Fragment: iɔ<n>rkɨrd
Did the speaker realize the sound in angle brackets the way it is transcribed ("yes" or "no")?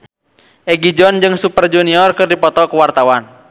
no